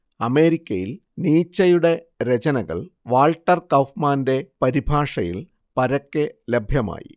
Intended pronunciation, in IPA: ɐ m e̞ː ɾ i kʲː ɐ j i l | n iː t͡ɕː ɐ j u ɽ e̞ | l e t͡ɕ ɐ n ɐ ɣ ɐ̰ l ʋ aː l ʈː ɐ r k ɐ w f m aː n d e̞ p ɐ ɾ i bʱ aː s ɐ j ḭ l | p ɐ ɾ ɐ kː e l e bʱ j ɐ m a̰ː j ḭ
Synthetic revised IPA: ɐ m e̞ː ɾ i kʲː ɐ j i l | n iː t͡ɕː ɐ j u ɽ e̞ | ɾ e t͡ɕ ɐ n ɐ ɣ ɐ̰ ɭ ʋ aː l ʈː ɐ r k ɐ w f m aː n d e̞ p ɐ ɾ i bʱ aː ʂ ɐ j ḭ l | p ɐ ɾ ɐ kː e l e bʱ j ɐ m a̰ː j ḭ